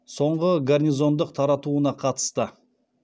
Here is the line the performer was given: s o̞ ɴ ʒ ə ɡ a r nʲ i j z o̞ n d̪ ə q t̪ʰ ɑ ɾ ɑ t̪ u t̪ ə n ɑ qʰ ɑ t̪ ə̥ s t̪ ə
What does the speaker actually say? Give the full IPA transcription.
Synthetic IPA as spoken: s o̞ ɴ ʁ ə ɡ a r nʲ i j z o̞ n d̪ ə q t̪ʰ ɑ ɾ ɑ t̪ u ə n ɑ qʰ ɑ t̪ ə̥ s t̪ ə

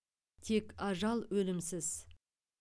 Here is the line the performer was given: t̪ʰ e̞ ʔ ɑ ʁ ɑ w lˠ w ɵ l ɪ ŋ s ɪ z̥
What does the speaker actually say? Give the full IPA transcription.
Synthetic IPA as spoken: t̪ʰ e̞ k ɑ ʒ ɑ lˠ w ɵ l ɪ m s ɪ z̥

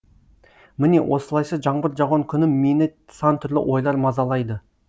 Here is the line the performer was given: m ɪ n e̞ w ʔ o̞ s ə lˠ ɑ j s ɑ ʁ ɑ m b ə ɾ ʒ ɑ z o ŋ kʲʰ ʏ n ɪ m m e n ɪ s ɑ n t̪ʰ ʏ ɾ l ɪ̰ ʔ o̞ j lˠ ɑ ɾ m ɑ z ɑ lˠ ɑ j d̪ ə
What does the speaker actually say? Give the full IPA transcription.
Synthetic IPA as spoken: m ɪ n e̞ w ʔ o̞ s ə lˠ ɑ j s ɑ ʒ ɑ ɴ b ə ɾ ʒ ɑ ʁ o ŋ kʲʰ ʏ n ɪ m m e n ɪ s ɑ n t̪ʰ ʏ ɾ l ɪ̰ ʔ o̞ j lˠ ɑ ɾ m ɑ z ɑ lˠ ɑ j d̪ ə

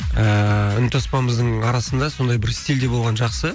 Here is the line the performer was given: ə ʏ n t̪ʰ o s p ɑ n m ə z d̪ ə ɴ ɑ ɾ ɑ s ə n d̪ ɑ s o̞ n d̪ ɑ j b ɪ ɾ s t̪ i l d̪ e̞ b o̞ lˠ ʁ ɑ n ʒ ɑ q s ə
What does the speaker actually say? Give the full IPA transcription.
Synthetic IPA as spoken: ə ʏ n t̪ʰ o s p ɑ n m ə z d̪ ə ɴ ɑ ɾ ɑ s ə n d̪ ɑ s o̞ n d̪ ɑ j b ɪ ɾ s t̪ i l d̪ e̞ b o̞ lˠ ʁ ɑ n ʒ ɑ q s ə

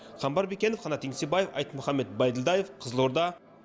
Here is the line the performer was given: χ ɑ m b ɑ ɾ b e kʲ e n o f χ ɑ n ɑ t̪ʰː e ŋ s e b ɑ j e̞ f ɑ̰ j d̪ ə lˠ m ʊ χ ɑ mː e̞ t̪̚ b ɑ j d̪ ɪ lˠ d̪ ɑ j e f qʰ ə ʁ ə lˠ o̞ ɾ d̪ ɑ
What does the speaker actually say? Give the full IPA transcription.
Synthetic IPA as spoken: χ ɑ m b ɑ ɾ b e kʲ e n o f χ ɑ n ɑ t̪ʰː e ŋ s e b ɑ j e̞ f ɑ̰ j t̪ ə m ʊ χ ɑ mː e̞ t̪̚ b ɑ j d̪ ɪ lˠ d̪ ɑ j e f qʰ ə z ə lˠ o̞ ɾ d̪ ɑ

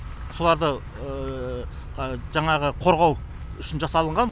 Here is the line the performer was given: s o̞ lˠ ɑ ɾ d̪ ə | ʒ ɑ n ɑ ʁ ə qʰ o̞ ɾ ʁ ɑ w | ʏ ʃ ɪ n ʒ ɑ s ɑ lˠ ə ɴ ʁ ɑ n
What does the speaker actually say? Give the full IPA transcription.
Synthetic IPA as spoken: s o̞ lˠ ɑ ɾ d̪ ə | ʒ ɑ ɴ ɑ ʁ ə qʰ o̞ ɾ ʁ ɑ w | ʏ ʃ ɪ n ʒ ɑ s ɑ lˠ ə ɴ ʁ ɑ n

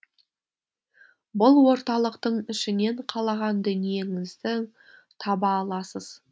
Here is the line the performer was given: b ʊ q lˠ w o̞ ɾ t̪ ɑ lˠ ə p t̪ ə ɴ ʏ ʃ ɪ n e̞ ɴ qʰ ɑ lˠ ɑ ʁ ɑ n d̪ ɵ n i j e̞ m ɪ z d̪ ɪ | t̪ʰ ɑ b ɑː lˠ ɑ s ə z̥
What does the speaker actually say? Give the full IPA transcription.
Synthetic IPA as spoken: b ʊ lˠ w o̞ ɾ t̪ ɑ lˠ ə q t̪ ə ɴ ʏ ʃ ɪ n e̞ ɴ qʰ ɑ lˠ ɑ ʁ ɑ n d̪ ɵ n i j e̞ ŋ ɪ z d̪ ɪ | t̪ʰ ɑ b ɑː lˠ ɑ s ə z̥

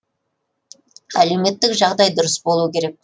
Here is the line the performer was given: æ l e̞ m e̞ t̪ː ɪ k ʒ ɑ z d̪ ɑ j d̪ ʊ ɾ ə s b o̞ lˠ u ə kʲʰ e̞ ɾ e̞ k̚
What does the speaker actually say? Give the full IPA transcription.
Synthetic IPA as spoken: æ l e̞ m e̞ t̪ː ɪ k ʒ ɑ ʁ d̪ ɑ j d̪ ʊ ɾ ə s b o̞ lˠ u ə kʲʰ e̞ ɾ e̞ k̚

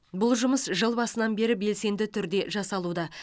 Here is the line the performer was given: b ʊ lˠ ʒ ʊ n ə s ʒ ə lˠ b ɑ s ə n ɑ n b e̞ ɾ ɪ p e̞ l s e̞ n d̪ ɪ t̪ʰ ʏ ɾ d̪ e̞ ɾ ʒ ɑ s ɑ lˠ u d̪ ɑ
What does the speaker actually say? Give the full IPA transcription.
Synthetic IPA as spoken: b ʊ lˠ ʒ ʊ m ə s ʒ ə lˠ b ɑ s ə n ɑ n b e̞ ɾ ɪ b e̞ l s e̞ n d̪ ɪ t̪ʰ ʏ ɾ d̪ e̞ ʒ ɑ s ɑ lˠ u d̪ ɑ

